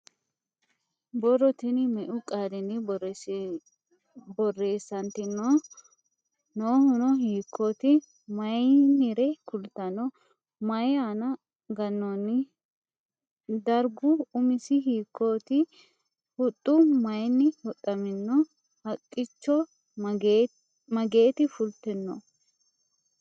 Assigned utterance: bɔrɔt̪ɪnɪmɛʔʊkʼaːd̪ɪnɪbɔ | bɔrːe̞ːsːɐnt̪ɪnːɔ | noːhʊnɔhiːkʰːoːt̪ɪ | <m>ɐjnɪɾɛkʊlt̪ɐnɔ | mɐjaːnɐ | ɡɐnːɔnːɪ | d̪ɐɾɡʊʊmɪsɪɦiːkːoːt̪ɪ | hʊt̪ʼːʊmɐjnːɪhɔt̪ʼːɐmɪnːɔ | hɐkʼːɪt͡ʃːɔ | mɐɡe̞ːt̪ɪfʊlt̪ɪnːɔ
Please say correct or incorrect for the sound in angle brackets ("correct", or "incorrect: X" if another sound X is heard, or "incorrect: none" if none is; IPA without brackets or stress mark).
correct